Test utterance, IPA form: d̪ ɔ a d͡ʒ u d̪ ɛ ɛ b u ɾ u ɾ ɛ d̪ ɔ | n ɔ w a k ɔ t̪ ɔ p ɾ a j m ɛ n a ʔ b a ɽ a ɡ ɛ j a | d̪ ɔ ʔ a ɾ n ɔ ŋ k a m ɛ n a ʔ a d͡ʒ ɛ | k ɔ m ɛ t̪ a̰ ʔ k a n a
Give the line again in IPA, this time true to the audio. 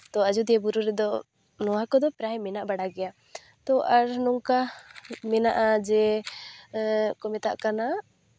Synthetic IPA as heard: t̪ ɔ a d͡ʒ u d̪ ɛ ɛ b u ɾ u ɾ ɛ d̪ ɔ | n ɔ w a k ɔ d̪ ɔ p ɾ a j m ɛ n a ʔ b a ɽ a ɡ ɛ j a | t̪ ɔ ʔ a ɾ n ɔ ŋ k a m ɛ n a ʔ a d͡ʒ ɛ | k ɔ m ɛ t̪ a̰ ʔ k a n a